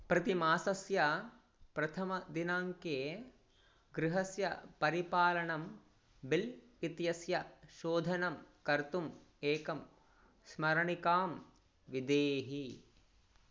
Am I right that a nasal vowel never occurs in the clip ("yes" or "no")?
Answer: yes